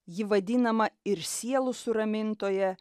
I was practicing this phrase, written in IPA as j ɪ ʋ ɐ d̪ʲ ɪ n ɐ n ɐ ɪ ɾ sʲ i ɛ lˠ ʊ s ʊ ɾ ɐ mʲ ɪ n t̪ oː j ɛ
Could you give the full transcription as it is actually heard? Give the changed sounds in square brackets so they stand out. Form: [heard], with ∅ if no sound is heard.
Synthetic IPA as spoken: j ɪ ʋ ɐ d̪ʲ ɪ n ɐ [m] ɐ ɪ ɾ sʲ i ɛ lˠ ʊ s ʊ ɾ ɐ mʲ ɪ n t̪ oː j ɛ